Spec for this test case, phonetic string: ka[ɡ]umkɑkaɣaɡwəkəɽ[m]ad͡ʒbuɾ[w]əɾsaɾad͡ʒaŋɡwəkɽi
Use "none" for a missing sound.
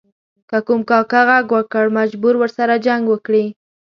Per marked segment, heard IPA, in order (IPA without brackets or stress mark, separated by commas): k, m, w